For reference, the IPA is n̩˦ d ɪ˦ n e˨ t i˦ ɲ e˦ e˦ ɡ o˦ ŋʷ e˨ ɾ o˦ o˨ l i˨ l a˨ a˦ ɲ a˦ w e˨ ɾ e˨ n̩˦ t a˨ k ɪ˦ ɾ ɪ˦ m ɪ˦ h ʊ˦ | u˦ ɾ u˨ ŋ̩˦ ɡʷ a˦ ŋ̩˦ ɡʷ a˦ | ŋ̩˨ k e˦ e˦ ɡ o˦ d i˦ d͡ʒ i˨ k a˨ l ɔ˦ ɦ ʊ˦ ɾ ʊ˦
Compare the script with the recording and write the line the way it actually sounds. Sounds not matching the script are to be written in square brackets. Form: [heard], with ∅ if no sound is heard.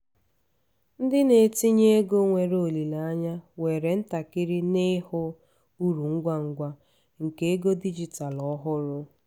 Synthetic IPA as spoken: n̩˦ d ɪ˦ n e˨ t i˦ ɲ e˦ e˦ ɡ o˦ ŋʷ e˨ ɾ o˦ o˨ l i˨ l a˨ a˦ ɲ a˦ w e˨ ɾ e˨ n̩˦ t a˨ k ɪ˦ ɾ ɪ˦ [n] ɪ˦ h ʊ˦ | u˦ ɾ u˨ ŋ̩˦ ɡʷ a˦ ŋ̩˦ ɡʷ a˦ | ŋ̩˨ k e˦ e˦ ɡ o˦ d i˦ d͡ʒ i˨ [t] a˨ l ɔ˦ ɦ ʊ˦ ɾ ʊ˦